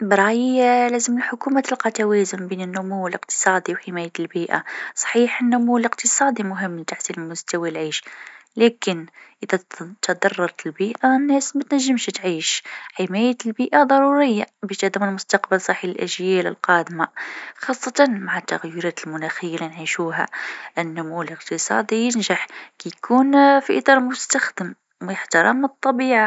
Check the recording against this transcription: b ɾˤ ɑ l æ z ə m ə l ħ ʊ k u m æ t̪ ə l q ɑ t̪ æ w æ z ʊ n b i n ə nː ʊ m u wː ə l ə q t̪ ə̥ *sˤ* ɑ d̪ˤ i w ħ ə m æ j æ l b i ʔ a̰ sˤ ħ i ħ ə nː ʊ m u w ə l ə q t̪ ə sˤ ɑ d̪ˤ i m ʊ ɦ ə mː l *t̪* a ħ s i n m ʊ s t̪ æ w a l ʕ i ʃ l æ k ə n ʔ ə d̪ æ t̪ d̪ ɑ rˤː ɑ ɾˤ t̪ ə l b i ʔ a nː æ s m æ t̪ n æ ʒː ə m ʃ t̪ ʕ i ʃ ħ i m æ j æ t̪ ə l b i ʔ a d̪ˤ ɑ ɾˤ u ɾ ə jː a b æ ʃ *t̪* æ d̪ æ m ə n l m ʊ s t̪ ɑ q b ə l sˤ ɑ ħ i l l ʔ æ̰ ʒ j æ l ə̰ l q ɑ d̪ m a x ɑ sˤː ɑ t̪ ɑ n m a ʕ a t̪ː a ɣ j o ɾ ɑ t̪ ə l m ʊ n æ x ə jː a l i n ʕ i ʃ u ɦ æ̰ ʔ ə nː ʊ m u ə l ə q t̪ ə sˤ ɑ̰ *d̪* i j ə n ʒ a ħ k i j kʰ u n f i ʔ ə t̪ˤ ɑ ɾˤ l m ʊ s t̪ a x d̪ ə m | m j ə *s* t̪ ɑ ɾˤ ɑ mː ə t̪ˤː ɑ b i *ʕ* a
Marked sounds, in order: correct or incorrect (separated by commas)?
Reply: correct, correct, correct, correct, incorrect, correct